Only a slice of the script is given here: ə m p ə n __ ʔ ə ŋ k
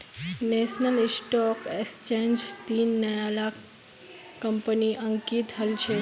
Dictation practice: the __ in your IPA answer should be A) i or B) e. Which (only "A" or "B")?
A